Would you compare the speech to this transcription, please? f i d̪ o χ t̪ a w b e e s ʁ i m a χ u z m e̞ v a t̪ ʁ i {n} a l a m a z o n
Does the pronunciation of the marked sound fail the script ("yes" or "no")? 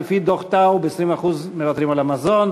yes